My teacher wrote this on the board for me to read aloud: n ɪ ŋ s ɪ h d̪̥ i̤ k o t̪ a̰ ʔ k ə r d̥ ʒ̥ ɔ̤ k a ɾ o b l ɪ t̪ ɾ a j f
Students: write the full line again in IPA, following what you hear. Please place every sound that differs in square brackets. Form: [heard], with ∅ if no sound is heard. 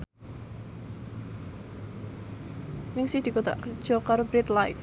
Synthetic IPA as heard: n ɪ ŋ s ɪ h d̪̥ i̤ k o t̪ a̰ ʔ k ə r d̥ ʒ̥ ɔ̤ k a ɾ o b [ɾ] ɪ t̪ [l] a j f